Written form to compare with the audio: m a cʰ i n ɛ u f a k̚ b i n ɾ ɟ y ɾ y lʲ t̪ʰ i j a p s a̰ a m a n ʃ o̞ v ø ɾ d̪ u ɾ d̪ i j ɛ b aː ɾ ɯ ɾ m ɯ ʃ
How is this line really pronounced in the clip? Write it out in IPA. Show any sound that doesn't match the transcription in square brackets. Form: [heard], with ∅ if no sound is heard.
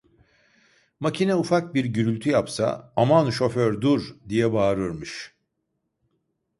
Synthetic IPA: m a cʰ i n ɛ u f a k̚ b i [∅] ɾ ɟ y ɾ y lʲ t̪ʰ [y] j a p s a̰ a m a n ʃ o̞ [f] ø ɾ d̪ u ɾ d̪ i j ɛ b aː ɾ ɯ ɾ m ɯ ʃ